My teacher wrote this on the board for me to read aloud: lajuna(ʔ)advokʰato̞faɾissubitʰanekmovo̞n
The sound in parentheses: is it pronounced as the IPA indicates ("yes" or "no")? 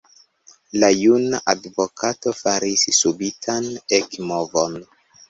yes